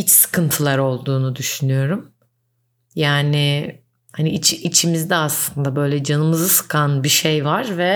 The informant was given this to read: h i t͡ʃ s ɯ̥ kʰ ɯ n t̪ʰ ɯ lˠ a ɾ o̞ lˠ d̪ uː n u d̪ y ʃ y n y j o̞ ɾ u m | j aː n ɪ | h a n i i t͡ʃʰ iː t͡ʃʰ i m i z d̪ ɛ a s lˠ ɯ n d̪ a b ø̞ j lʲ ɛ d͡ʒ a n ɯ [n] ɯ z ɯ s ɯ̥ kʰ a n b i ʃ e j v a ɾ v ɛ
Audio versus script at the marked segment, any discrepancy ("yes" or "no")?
yes